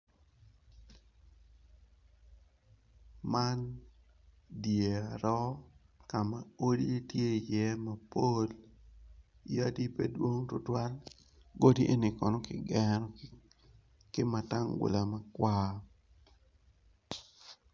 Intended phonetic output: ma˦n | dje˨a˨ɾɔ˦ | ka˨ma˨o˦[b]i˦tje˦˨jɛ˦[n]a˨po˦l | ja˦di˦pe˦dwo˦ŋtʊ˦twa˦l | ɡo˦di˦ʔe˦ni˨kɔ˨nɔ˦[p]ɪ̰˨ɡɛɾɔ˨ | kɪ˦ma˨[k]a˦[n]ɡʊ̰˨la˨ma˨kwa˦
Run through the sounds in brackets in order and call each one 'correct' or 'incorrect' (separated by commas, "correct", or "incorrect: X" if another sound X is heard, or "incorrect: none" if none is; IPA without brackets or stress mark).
incorrect: d, incorrect: m, incorrect: k, incorrect: t, incorrect: ŋ